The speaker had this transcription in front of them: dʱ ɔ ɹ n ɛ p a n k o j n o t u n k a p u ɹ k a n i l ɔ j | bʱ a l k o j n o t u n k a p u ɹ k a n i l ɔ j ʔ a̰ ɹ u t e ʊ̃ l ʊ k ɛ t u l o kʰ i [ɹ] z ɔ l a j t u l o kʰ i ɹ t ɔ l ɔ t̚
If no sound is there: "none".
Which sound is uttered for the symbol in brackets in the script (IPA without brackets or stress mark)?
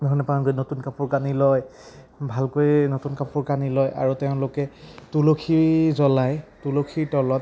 ɹ